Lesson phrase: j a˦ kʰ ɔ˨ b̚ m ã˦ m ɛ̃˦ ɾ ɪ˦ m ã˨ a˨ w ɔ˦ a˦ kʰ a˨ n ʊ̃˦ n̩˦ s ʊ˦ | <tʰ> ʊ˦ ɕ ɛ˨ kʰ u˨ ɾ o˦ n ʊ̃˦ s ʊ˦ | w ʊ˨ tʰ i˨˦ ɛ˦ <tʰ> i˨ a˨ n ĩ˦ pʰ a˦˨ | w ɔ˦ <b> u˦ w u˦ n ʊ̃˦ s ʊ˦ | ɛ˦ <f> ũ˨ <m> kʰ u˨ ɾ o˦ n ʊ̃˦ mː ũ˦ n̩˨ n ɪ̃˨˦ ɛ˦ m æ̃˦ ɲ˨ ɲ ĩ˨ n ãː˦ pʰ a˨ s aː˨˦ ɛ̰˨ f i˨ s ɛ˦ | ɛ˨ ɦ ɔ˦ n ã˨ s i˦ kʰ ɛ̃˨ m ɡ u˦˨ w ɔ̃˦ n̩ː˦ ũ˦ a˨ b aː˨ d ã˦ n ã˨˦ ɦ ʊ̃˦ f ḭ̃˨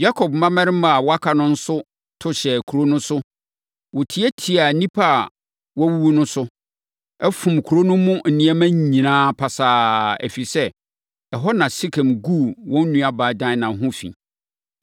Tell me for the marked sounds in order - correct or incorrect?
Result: correct, correct, incorrect: w, correct, correct

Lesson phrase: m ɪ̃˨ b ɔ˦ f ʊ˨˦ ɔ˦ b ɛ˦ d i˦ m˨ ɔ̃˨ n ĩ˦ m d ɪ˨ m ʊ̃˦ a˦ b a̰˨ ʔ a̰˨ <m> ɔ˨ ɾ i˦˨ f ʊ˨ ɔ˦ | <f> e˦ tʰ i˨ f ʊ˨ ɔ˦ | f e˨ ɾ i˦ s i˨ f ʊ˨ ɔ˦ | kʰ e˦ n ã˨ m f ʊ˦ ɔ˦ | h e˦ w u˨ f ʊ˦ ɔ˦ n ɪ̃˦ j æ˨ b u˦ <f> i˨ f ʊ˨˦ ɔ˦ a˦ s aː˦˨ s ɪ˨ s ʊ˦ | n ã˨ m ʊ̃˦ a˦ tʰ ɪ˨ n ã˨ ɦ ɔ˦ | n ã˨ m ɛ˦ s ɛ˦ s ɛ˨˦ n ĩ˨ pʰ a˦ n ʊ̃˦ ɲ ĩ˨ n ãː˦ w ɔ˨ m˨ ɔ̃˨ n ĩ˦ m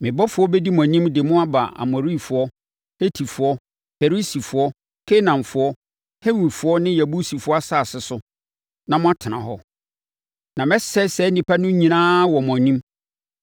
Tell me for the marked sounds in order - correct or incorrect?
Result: correct, incorrect: h, incorrect: s

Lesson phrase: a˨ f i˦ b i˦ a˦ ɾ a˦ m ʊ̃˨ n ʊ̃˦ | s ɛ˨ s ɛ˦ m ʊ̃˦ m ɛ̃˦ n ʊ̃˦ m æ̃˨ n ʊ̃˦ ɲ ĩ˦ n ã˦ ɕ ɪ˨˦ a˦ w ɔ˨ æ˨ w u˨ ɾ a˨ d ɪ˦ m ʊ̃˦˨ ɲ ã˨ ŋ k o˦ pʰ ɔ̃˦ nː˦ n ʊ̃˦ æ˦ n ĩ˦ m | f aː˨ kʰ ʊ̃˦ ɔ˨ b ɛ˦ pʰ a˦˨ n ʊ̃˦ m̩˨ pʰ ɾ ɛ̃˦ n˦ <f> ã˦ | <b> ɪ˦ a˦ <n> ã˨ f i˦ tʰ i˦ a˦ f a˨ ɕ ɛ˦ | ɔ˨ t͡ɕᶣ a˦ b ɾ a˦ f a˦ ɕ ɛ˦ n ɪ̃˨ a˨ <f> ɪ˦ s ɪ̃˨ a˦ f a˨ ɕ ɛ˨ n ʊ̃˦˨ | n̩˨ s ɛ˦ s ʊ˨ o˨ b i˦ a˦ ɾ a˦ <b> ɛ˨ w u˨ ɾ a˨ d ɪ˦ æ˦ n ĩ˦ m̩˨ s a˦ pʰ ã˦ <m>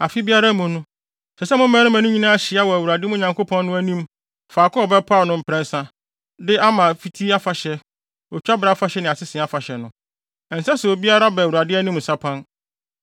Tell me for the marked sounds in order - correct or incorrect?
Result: incorrect: s, incorrect: d, incorrect: m, incorrect: s, correct, incorrect: n

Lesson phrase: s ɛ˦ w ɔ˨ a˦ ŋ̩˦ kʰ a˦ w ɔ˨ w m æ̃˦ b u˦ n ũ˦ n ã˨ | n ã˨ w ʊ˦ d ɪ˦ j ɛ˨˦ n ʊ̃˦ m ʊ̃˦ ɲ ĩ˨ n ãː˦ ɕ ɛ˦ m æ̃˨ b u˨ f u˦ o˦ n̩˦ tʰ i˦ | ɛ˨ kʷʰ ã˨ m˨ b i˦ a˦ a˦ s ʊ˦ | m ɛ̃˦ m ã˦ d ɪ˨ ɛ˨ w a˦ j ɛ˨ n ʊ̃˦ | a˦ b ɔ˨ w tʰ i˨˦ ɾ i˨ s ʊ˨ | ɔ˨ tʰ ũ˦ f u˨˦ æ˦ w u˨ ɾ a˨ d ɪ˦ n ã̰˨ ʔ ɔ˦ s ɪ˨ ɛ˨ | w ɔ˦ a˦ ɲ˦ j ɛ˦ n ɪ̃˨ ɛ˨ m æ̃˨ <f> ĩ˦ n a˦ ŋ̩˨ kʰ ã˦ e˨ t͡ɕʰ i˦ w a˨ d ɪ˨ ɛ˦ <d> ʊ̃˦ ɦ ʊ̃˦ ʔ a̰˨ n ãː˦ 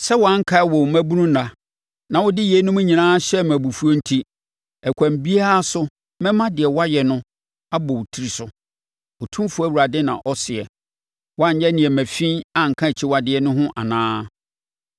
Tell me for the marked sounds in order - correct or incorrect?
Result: correct, incorrect: n

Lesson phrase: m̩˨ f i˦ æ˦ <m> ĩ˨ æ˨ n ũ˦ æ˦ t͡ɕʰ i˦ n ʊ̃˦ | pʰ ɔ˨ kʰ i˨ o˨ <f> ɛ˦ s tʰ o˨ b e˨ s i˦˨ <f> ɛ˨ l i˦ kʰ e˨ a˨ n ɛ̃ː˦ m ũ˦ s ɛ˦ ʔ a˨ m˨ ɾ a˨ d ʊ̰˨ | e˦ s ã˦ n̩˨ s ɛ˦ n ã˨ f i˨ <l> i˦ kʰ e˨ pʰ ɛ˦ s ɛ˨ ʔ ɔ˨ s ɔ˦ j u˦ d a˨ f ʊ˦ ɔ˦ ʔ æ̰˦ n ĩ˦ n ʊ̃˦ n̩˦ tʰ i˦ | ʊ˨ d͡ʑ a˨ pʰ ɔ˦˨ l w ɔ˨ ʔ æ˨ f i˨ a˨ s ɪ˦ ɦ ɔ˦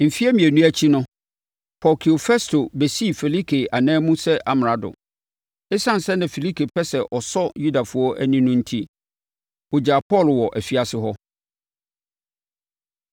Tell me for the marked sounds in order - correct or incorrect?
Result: correct, correct, correct, correct

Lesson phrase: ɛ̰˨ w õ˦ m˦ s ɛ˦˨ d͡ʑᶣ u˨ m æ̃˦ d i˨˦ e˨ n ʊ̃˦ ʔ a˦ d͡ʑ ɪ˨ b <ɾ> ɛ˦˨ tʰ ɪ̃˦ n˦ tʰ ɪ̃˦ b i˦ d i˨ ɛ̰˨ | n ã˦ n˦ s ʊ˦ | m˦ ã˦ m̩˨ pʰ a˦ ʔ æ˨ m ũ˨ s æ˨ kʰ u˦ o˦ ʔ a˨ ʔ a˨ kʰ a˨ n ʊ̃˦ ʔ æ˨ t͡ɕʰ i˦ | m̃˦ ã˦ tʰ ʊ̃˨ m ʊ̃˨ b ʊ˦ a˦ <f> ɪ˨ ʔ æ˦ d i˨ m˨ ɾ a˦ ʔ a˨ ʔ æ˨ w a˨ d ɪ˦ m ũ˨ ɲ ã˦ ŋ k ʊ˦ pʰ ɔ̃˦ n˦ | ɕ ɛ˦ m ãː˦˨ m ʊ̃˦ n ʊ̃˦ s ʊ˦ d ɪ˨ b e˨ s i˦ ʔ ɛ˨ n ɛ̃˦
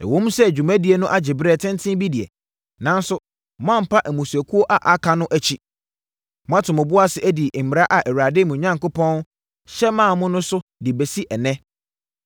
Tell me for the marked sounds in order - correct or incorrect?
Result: correct, incorrect: s

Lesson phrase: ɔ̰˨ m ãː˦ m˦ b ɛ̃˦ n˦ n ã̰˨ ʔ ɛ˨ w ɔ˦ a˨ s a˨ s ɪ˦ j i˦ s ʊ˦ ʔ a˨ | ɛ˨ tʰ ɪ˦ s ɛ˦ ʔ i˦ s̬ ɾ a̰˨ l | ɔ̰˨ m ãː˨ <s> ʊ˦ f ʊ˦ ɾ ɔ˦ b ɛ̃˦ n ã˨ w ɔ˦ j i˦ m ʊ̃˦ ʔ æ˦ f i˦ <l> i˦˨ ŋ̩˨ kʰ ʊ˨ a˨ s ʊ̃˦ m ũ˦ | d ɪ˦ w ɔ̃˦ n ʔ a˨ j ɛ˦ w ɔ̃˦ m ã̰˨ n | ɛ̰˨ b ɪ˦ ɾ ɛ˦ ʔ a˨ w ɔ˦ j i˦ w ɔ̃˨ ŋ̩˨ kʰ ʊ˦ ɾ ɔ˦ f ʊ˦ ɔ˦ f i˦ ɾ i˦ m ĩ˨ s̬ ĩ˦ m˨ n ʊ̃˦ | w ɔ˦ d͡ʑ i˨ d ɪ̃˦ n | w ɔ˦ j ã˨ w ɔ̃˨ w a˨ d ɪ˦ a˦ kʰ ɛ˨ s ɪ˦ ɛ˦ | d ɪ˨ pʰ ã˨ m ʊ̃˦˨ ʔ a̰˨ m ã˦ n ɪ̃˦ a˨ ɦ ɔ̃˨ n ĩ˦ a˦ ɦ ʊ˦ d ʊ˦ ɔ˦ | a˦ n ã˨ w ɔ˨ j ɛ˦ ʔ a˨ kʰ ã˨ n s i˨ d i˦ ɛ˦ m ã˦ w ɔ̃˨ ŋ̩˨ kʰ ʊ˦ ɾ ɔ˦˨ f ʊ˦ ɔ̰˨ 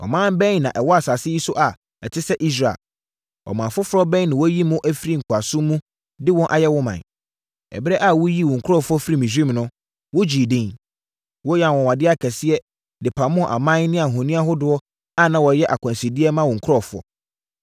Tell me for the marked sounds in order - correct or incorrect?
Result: incorrect: f, incorrect: ɾ

